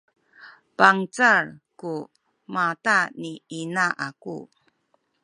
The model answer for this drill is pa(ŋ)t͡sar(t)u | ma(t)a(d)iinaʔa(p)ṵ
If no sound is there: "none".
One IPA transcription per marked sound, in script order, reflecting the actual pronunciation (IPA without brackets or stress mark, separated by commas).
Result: ŋ, k, t, n, k